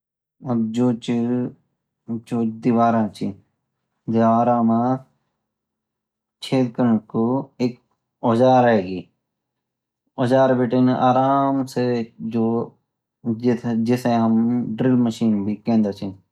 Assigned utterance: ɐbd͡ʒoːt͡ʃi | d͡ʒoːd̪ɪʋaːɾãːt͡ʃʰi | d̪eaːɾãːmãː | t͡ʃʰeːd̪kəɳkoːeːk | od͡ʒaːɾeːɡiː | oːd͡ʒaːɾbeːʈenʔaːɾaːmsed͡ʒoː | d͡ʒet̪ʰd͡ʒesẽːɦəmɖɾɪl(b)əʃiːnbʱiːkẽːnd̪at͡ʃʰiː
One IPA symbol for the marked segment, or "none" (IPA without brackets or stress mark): m